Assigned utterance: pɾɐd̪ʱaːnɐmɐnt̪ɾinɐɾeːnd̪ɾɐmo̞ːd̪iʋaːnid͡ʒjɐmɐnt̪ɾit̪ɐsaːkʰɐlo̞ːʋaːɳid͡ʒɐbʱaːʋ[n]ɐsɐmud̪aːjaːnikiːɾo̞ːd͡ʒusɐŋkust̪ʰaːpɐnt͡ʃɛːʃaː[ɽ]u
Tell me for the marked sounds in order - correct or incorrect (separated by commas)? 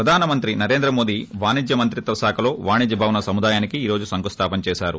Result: correct, incorrect